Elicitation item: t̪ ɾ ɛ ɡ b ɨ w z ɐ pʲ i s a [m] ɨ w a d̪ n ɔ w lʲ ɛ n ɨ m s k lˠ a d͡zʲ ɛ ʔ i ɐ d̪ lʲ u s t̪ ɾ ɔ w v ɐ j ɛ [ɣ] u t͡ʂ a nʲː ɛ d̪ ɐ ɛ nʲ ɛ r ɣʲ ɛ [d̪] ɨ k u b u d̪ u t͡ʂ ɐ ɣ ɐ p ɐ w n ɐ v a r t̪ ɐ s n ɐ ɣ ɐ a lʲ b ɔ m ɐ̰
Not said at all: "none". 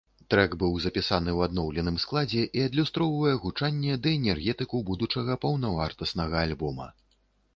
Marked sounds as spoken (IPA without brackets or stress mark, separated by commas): n, ɣ, t̪